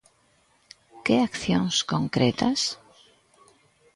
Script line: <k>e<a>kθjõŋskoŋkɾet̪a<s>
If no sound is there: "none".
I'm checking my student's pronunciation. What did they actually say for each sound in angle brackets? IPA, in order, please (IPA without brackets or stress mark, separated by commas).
k, a, s